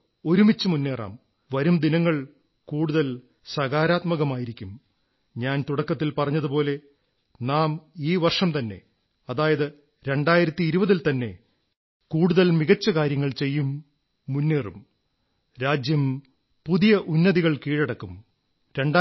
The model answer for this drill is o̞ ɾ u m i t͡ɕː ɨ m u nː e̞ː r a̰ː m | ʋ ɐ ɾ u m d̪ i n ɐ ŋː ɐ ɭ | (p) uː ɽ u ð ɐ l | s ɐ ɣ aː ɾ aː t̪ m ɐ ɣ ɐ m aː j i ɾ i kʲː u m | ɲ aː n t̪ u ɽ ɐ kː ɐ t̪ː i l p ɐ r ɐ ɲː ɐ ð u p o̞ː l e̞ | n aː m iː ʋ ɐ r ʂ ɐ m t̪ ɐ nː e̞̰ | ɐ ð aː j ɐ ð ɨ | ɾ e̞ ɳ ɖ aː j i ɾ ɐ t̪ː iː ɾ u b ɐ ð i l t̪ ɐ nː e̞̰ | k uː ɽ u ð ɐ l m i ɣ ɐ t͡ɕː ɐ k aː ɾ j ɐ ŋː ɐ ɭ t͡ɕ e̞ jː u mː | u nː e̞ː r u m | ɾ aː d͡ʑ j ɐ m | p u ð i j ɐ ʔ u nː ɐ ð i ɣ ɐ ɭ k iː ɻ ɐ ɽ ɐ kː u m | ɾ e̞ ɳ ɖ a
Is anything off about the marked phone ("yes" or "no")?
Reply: yes